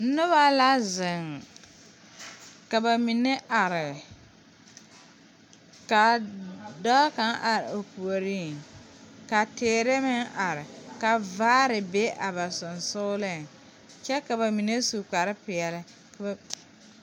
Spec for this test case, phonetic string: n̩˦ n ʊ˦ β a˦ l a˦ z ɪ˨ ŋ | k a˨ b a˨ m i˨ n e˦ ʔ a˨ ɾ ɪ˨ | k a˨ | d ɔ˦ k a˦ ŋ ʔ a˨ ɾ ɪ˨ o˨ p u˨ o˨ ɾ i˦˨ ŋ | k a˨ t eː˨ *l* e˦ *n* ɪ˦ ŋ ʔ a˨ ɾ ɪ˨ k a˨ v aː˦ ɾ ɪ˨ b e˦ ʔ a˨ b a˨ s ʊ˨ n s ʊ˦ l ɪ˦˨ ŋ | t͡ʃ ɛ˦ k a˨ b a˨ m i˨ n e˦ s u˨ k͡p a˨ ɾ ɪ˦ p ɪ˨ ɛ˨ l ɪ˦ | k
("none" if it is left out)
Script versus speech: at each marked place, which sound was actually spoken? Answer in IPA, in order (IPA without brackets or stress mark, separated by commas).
ɾ, m